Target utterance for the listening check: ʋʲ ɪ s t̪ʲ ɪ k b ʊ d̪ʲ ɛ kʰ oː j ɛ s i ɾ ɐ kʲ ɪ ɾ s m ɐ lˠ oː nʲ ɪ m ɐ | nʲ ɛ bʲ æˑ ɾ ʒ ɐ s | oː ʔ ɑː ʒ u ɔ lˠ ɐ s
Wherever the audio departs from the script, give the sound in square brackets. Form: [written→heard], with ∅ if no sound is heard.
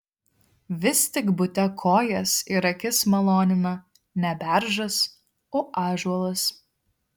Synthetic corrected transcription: ʋʲ ɪ s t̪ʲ ɪ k b ʊ [d̪ʲ→t̪ʲ] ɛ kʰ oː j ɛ s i ɾ ɐ kʲ ɪ [ɾ→∅] s m ɐ lˠ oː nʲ ɪ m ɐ | nʲ ɛ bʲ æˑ ɾ ʒ ɐ s | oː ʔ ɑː ʒ u ɔ lˠ ɐ s

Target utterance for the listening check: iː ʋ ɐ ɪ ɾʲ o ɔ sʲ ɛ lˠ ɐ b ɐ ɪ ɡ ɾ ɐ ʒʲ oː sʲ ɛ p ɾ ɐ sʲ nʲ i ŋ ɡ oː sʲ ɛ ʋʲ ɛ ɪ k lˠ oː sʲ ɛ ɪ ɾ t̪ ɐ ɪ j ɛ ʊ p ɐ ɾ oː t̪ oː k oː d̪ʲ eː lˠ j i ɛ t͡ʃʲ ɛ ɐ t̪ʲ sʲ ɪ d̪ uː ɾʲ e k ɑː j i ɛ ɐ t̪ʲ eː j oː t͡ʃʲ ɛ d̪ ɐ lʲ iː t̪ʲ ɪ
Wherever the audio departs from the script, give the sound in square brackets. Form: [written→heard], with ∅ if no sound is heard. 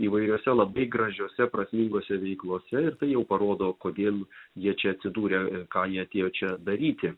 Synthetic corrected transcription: iː ʋ ɐ ɪ ɾʲ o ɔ sʲ ɛ lˠ ɐ b ɐ ɪ ɡ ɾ ɐ ʒʲ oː sʲ ɛ p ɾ ɐ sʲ [nʲ→mʲ] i ŋ ɡ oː sʲ ɛ ʋʲ ɛ ɪ k lˠ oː sʲ ɛ ɪ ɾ t̪ ɐ ɪ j ɛ ʊ p ɐ ɾ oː [t̪→d̪] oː k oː d̪ʲ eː lˠ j i ɛ t͡ʃʲ ɛ ɐ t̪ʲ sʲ ɪ d̪ uː ɾʲ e k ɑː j i ɛ ɐ t̪ʲ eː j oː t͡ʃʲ ɛ d̪ ɐ [lʲ→ɾʲ] iː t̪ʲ ɪ

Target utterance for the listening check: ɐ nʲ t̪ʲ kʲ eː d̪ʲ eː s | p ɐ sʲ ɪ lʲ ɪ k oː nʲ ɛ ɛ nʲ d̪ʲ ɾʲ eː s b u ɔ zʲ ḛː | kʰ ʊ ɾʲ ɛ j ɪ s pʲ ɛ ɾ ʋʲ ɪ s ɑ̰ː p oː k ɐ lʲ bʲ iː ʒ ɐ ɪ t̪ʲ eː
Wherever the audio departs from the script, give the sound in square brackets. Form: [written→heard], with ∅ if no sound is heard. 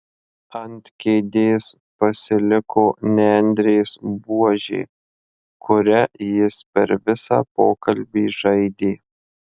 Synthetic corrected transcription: ɐ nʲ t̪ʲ kʲ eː d̪ʲ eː s | p ɐ sʲ ɪ lʲ ɪ k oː nʲ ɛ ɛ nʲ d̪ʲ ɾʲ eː s b u ɔ [zʲ→ʒʲ] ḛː | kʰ ʊ ɾʲ ɛ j ɪ s pʲ ɛ ɾ ʋʲ ɪ s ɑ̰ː p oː k ɐ lʲ bʲ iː ʒ ɐ ɪ [t̪ʲ→d̪ʲ] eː

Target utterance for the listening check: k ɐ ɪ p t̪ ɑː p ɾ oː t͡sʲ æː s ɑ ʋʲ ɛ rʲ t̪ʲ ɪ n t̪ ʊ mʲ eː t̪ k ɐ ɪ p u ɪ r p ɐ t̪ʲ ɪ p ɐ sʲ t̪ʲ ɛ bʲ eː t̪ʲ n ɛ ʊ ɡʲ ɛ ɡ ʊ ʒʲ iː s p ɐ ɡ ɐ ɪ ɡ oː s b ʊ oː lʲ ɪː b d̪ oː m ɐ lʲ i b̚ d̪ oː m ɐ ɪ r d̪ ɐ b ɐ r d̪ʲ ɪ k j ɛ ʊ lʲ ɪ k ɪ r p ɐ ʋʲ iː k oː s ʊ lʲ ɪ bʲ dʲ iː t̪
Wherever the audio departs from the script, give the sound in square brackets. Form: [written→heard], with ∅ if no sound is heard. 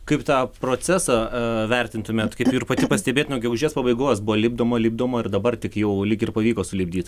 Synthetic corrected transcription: k ɐ ɪ p t̪ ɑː p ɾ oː t͡sʲ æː s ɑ ʋʲ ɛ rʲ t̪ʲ ɪ n t̪ ʊ mʲ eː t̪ k ɐ ɪ p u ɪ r p ɐ t̪ʲ ɪ p ɐ sʲ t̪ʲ ɛ bʲ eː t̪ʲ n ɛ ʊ ɡʲ ɛ ɡ ʊ ʒʲ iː s p ɐ [ɡ→b] ɐ ɪ ɡ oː s b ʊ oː lʲ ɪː b d̪ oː m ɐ lʲ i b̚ d̪ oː m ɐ ɪ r d̪ ɐ b ɐ r [d̪ʲ→t̪ʲ] ɪ k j ɛ ʊ lʲ ɪ k ɪ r p ɐ ʋʲ iː k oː s ʊ lʲ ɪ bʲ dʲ iː t̪

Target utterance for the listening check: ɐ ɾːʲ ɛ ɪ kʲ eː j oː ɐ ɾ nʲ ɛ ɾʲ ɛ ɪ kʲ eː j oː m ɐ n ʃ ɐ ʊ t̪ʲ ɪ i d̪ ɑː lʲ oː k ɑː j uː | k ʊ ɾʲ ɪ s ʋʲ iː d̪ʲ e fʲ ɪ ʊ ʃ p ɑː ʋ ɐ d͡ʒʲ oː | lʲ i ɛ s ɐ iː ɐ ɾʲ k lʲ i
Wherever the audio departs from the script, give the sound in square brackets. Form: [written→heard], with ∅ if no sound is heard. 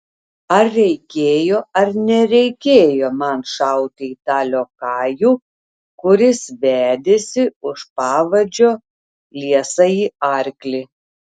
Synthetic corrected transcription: ɐ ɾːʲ ɛ ɪ kʲ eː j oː ɐ ɾ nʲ ɛ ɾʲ ɛ ɪ kʲ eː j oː m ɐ n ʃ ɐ ʊ t̪ʲ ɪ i [d̪→t̪] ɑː lʲ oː k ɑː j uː | k ʊ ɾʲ ɪ s ʋʲ [iː→æː] d̪ʲ e [fʲ→sʲ] ɪ ʊ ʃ p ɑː ʋ ɐ d͡ʒʲ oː | lʲ i ɛ s ɐ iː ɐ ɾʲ k lʲ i

